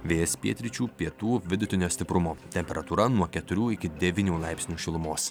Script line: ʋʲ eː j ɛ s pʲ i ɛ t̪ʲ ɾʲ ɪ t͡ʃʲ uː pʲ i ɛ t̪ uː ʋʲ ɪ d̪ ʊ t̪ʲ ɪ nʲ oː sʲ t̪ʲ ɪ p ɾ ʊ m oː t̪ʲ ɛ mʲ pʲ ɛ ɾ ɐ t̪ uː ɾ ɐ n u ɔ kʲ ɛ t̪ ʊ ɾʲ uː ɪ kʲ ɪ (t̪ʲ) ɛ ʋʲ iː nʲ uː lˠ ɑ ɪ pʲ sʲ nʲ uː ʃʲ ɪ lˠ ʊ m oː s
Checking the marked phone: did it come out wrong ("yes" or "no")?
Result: yes